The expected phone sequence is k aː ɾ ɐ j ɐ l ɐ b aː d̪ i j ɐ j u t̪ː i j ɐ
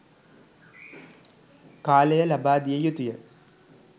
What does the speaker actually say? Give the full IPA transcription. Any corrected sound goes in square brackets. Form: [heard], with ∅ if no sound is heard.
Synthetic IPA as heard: k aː [l] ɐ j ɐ l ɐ b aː d̪ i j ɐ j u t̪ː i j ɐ

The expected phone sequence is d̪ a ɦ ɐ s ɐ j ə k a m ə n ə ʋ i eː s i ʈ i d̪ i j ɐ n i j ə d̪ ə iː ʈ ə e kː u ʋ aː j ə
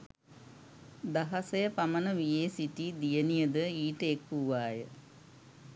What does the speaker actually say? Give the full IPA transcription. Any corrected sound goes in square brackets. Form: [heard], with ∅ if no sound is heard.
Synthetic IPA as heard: d̪ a ɦ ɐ s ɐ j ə [p] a m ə n ə ʋ i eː s i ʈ i d̪ i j [ə] n i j ə d̪ ə iː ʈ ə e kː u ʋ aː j ə

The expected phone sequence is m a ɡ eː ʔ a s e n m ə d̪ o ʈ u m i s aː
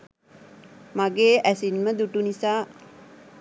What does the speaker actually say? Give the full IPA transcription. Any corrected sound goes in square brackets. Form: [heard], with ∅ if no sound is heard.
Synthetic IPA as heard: m a ɡ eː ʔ [æ] s [i] n m ə d̪ [u] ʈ u [n] i s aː

